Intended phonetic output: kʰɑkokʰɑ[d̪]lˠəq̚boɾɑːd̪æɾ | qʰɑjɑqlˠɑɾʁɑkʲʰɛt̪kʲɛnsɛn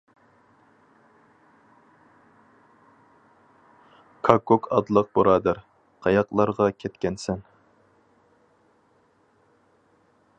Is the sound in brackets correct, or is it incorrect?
correct